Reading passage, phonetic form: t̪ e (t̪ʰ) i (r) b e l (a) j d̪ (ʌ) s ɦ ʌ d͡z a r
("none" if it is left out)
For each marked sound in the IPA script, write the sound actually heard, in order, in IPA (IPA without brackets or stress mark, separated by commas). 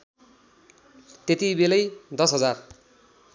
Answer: t̪, none, ʌ, ʌ